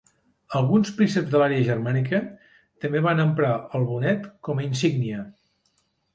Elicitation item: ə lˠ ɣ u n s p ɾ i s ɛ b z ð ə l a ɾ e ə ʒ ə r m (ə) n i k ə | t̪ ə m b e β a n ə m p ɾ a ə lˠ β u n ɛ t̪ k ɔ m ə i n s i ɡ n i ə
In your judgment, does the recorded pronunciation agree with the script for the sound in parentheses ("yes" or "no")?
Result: no